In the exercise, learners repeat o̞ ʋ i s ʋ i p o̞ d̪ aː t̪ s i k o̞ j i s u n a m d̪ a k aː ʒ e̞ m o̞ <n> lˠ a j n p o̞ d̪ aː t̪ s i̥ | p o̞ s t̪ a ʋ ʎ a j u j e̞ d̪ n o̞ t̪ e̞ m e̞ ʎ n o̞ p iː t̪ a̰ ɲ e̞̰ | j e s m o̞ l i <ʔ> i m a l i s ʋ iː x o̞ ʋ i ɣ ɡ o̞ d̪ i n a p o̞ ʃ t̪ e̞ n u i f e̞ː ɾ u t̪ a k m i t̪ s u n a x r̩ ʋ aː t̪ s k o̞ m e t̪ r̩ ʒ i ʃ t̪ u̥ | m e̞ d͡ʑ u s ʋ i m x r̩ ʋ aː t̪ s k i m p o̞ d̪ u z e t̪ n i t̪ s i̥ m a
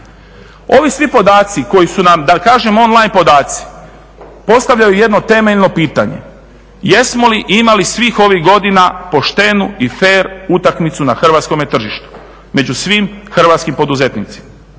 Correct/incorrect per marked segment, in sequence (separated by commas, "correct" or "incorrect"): correct, correct